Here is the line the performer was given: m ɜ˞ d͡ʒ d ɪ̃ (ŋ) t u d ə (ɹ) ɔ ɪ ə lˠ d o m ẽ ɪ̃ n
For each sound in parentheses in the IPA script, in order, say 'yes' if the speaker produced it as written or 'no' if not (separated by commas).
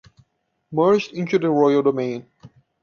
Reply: no, yes